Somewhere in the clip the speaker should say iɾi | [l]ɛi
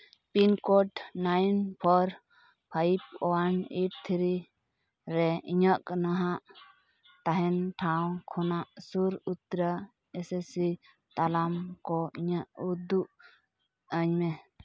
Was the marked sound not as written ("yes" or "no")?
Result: yes